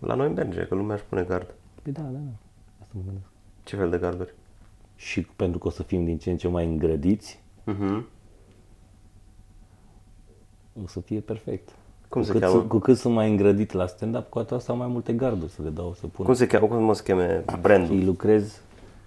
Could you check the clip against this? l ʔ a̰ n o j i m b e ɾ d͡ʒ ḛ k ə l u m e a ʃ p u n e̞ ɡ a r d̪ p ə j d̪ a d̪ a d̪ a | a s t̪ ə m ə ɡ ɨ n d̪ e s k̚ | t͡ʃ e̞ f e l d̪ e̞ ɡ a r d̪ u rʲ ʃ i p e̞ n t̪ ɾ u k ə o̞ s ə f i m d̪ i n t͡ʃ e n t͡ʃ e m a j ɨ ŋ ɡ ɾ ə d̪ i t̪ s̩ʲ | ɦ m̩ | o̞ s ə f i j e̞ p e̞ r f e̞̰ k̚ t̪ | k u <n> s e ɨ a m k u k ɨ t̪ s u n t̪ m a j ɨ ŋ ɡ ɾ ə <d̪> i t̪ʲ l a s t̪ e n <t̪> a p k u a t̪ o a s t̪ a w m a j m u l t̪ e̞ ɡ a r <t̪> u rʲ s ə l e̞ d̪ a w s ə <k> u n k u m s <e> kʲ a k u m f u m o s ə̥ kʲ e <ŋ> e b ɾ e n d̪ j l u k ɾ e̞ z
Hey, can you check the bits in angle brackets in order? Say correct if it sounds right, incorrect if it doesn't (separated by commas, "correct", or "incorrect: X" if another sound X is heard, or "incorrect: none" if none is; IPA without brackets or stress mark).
incorrect: m, correct, incorrect: d̪, incorrect: d̪, incorrect: p, correct, incorrect: m